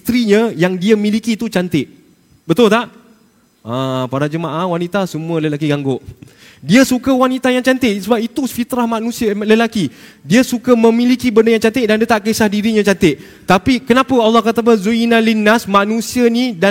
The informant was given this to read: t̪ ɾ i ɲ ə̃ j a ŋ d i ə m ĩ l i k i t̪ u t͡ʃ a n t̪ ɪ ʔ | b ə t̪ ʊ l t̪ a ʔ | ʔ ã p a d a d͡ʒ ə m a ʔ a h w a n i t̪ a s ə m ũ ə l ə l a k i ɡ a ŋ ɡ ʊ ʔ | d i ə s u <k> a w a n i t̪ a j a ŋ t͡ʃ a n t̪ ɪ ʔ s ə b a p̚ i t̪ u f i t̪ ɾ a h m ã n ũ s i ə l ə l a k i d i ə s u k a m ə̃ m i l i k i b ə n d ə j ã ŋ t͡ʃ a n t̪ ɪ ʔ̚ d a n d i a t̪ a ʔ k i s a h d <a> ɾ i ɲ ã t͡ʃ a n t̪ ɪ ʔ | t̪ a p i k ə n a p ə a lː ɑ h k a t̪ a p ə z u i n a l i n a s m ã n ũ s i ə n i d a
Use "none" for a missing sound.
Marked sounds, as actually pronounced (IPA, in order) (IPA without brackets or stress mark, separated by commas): k, i